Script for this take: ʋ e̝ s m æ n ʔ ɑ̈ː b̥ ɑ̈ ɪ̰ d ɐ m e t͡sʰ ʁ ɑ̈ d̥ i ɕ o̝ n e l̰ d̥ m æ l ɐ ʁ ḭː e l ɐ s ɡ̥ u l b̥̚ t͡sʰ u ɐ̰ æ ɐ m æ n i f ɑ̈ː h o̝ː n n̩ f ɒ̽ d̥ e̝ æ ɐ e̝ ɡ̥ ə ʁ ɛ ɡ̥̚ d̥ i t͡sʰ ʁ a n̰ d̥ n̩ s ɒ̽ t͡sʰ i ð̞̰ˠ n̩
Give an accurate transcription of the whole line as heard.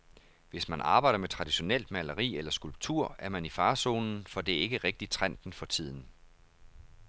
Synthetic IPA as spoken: ʋ e̝ s m æ n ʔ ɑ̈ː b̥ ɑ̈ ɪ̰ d ɐ m e t͡sʰ ʁ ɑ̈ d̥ i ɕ o̝ n e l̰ d̥ m æ l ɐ ʁ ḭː e l ɐ s ɡ̥ u l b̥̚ t͡sʰ u ɐ̰ æ ɐ m æ n i f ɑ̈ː s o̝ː n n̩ f ɒ̽ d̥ e̝ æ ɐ e̝ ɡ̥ ə ʁ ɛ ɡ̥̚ d̥ i t͡sʰ ʁ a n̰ d̥ n̩ f ɒ̽ t͡sʰ i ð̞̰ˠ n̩